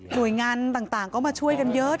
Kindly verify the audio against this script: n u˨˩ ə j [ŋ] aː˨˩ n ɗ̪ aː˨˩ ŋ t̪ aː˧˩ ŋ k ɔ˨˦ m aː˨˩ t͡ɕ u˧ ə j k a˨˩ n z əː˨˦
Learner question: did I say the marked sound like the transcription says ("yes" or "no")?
yes